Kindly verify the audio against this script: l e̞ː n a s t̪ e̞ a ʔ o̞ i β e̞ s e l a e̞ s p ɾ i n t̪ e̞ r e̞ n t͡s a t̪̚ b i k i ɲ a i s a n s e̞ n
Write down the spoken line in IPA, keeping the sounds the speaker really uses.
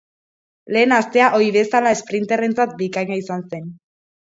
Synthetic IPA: l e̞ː n a s t̪ e̞ a ʔ o̞ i β e̞ s a l a e̞ s p ɾ i n t̪ e̞ r e̞ n t͡s a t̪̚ b i k a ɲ a i s a n s e̞ n